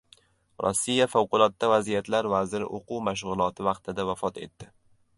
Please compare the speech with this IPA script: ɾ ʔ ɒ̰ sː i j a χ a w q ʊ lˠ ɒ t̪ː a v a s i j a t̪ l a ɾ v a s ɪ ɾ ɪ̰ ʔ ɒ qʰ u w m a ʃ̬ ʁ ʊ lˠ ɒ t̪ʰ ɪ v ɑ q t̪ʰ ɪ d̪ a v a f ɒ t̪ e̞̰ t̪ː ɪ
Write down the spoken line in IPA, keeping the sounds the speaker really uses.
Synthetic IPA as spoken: ɾ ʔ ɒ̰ sː i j a f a w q ʊ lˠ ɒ t̪ː a v a z i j a t̪ l a ɾ v a z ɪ ɾ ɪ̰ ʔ o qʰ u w m a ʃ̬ ʁ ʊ lˠ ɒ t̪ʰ ɪ v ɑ q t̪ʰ ɪ d̪ a v a f ɒ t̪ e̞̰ t̪ː ɪ